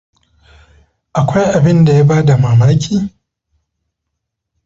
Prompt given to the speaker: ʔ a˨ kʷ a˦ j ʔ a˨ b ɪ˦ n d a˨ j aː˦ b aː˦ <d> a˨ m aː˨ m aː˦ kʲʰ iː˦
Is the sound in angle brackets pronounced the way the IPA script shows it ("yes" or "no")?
yes